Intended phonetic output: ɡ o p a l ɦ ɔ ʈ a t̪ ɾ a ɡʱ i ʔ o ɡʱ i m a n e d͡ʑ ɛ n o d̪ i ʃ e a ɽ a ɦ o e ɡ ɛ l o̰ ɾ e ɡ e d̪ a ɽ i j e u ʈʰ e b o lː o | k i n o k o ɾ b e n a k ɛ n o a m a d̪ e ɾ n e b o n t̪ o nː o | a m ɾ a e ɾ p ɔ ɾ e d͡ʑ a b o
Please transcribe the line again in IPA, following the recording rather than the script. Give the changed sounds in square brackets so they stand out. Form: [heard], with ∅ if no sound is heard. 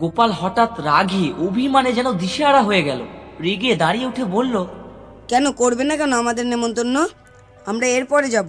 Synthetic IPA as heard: ɡ o p a l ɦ ɔ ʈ a t̪ ɾ a ɡʱ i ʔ o [bʱ] i m a n e d͡ʑ ɛ n o d̪ i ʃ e a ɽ a ɦ o e ɡ ɛ l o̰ ɾ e ɡ e d̪ a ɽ i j e u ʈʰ e b o lː o | k [ɛ] n o k o ɾ b e n a k ɛ n o a m a d̪ e ɾ n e [m] o n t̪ o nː o | a m ɾ a e ɾ p ɔ ɾ e d͡ʑ a b o